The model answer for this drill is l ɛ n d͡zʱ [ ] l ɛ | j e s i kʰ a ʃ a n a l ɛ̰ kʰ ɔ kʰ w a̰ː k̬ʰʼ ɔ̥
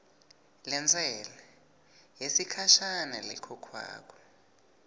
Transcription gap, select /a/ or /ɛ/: ɛ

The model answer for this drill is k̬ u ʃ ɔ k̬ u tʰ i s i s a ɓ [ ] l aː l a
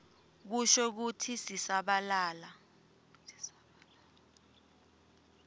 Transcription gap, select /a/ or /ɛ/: a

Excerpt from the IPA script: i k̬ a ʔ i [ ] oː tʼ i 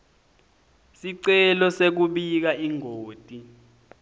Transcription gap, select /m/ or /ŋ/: ŋ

